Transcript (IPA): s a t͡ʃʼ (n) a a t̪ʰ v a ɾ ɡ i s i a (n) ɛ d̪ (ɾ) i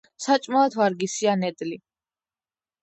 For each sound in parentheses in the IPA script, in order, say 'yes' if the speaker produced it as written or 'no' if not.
no, yes, no

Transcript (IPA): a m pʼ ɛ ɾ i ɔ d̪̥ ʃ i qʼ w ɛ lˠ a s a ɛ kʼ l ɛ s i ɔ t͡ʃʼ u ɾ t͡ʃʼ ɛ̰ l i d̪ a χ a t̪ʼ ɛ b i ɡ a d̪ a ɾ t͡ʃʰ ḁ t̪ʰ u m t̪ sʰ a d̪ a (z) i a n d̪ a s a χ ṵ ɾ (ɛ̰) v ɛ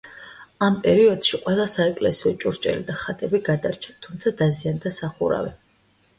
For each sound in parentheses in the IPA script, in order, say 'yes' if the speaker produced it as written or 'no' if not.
yes, no

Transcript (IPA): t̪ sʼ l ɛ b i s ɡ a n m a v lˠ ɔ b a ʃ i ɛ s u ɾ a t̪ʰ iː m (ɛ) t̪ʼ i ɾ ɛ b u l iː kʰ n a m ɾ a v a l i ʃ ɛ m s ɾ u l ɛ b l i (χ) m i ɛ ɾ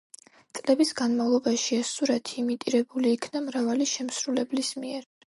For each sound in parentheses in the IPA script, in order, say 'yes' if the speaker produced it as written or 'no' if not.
no, no

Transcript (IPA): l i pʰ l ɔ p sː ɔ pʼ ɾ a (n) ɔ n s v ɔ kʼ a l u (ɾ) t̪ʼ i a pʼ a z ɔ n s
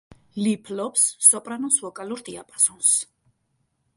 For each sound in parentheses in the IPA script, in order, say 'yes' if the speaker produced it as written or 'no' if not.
yes, yes

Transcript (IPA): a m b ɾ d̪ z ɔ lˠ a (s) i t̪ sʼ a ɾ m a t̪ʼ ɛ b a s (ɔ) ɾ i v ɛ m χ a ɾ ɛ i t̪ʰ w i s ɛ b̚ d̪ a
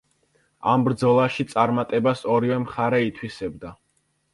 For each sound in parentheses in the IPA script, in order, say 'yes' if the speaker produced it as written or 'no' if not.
no, yes

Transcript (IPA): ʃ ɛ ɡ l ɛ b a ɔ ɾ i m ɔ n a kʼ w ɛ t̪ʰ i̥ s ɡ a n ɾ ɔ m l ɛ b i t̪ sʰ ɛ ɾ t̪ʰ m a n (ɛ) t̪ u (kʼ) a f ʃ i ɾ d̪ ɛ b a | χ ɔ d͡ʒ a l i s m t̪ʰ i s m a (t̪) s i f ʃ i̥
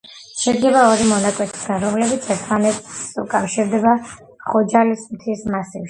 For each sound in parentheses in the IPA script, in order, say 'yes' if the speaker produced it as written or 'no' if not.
yes, yes, no

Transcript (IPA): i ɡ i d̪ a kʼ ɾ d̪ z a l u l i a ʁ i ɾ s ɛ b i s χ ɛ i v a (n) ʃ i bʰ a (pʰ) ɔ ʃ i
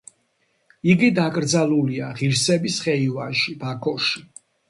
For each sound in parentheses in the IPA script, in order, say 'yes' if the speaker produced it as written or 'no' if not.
yes, no

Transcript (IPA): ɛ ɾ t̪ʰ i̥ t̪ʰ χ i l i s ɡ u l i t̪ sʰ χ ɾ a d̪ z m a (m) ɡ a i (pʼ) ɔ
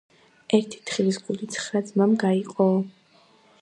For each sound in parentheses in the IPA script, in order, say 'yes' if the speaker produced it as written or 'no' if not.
yes, no

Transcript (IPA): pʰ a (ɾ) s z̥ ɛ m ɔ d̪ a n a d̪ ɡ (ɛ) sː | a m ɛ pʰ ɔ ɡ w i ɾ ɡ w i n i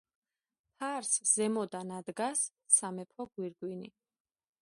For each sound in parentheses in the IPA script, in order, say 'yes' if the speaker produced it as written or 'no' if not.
yes, no

